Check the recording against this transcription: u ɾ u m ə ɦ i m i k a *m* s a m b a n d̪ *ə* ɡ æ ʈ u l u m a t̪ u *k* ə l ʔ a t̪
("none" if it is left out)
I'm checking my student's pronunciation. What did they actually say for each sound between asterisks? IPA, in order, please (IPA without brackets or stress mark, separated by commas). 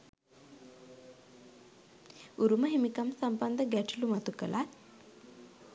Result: m, ə, k